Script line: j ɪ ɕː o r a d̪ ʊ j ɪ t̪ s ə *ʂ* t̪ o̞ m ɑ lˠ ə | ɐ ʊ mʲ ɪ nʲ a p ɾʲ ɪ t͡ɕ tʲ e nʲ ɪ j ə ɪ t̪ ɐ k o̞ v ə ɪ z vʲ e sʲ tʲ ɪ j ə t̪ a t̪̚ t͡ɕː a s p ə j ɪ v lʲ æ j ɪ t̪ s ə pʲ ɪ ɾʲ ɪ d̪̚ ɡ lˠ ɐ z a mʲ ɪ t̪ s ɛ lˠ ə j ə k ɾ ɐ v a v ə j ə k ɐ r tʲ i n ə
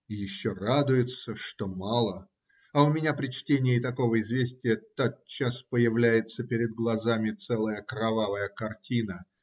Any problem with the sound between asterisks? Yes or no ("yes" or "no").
no